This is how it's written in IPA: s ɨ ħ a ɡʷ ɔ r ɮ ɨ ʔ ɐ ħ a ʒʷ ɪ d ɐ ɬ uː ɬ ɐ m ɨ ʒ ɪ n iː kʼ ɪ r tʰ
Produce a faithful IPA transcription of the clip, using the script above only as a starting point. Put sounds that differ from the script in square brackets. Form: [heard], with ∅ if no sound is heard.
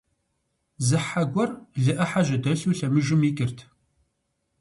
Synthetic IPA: [z] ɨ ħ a ɡʷ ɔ r ɮ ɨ ʔ ɐ ħ a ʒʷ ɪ d ɐ ɬ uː ɬ ɐ m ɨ ʒ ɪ [m] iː kʼ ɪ r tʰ

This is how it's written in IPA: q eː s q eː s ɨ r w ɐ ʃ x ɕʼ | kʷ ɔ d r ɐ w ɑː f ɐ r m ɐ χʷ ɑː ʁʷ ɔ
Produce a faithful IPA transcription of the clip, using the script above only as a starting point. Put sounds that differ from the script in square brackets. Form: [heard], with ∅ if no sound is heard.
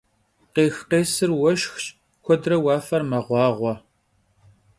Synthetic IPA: q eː [x] q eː s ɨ r w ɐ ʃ x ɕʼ | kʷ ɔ d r ɐ w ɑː f ɐ r m ɐ [ʁʷ] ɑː ʁʷ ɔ

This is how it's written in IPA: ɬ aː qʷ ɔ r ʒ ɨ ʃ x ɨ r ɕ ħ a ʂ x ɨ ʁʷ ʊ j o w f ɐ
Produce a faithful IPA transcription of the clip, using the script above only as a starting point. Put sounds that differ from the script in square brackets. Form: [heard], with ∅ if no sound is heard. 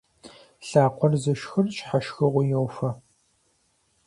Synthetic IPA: ɬ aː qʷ ɔ r [z] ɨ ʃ x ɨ r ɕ ħ a [ʃ] x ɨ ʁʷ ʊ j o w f ɐ

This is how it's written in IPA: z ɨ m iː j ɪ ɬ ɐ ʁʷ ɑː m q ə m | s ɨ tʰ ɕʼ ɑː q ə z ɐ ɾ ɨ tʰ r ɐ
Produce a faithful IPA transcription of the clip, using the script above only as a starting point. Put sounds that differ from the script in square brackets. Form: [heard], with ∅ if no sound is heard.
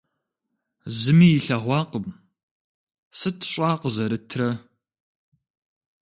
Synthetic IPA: z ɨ m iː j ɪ ɬ ɐ ʁʷ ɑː [∅] q ə m | s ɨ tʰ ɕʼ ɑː q ə z ɐ ɾ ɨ tʰ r ɐ

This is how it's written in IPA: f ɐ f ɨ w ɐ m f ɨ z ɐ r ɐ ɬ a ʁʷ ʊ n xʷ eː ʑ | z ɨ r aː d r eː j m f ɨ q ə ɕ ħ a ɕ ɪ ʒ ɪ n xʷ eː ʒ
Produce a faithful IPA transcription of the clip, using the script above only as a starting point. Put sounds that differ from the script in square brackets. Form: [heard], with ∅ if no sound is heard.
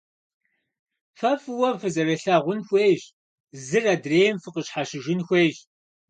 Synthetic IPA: f ɐ f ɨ w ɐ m f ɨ z ɐ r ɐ ɬ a ʁʷ ʊ n xʷ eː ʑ | z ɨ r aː d r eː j m f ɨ q ə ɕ ħ a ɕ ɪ ʒ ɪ n xʷ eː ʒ

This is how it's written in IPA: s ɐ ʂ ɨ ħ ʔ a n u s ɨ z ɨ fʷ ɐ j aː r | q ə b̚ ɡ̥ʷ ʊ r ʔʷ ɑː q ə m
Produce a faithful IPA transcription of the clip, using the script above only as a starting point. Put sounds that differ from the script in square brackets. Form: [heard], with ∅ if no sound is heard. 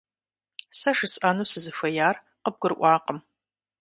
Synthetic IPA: s ɐ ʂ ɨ [s] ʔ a n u s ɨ z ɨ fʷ ɐ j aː r | q ə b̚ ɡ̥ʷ ʊ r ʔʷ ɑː q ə m

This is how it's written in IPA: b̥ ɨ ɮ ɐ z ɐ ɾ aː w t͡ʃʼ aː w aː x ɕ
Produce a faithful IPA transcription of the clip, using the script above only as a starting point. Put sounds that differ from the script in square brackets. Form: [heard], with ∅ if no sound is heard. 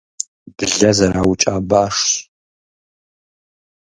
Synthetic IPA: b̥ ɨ ɮ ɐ z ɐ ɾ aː w t͡ʃʼ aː [b] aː [ʂ] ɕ

